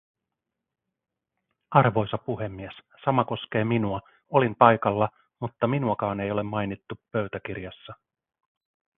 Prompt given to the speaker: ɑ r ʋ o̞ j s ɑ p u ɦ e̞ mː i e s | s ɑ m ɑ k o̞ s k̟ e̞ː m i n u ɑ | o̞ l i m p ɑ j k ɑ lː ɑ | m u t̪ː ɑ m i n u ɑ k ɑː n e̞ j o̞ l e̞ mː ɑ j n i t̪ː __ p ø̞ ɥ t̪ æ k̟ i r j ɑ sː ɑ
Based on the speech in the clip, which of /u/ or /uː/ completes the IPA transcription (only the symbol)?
u